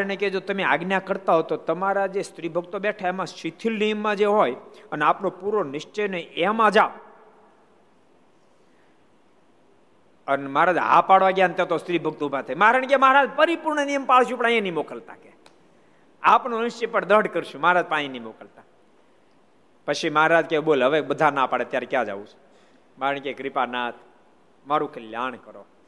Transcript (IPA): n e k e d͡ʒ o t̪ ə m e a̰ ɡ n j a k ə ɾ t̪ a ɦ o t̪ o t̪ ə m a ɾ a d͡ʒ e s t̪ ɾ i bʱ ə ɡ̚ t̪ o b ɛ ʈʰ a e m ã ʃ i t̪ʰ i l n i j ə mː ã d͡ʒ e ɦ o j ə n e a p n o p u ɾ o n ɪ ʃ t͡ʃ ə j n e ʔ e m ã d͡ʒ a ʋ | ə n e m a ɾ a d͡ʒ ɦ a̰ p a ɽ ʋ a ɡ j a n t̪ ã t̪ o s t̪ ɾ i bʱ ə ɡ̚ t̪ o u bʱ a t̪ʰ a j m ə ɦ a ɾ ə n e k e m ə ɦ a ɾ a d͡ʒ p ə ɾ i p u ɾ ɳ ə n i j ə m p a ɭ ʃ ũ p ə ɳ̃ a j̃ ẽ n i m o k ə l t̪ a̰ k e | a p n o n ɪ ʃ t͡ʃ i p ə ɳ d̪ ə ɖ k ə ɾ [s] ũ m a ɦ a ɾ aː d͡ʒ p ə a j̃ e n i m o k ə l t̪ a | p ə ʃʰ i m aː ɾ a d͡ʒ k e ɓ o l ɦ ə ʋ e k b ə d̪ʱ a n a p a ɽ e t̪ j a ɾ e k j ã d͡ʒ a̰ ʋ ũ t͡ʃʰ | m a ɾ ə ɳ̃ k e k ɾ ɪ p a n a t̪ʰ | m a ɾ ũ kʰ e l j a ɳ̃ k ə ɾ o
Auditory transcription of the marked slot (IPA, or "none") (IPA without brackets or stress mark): ʃ